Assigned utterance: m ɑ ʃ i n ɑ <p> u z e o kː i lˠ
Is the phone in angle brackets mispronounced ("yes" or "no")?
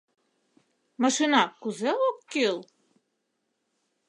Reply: yes